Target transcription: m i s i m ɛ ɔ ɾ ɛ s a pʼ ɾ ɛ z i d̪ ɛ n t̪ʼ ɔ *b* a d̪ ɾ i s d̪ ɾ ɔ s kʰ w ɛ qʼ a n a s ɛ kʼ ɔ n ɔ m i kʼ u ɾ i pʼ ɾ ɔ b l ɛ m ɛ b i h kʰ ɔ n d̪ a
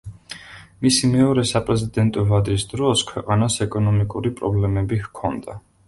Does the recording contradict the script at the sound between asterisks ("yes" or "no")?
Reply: yes